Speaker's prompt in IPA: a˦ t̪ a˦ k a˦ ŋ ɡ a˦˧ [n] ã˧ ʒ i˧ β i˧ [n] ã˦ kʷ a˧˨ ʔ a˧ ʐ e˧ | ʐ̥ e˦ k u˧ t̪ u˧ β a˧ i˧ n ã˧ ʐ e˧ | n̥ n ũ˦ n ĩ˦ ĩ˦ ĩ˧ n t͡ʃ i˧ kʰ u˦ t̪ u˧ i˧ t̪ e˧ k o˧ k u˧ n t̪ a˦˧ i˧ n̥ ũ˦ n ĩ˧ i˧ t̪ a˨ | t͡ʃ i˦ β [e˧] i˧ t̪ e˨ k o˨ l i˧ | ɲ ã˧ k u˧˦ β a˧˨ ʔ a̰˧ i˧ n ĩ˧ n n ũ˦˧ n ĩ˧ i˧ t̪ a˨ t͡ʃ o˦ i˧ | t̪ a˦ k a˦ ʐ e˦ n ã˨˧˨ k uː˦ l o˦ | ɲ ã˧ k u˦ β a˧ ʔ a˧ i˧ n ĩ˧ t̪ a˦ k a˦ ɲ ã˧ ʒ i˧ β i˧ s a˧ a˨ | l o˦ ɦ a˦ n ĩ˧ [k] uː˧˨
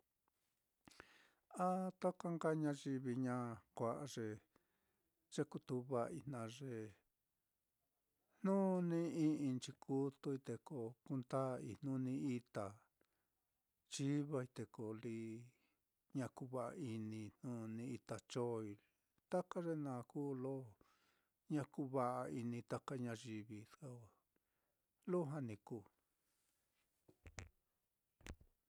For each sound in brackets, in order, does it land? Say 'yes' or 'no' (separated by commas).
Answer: no, no, no, yes